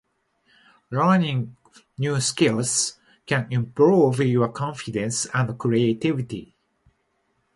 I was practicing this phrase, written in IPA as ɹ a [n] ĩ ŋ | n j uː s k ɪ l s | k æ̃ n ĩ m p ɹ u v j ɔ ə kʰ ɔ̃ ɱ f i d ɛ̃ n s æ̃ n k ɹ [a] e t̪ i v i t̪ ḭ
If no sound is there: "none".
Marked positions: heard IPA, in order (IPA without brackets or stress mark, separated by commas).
n, i